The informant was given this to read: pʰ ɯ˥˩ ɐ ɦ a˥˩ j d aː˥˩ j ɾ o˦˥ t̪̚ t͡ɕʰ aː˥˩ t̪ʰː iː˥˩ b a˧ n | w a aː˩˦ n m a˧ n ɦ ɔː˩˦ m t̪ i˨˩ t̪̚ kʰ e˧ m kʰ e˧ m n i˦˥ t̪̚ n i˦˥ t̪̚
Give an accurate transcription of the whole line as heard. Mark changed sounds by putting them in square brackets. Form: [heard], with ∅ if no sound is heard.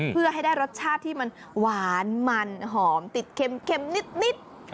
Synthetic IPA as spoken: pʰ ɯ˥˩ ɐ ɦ a˥˩ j d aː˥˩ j ɾ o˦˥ t̪̚ t͡ɕʰ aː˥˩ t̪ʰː iː˥˩ [m] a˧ n | w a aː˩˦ n m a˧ n ɦ ɔː˩˦ m t̪ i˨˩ t̪̚ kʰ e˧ m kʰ e˧ m n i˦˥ t̪̚ n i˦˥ t̪̚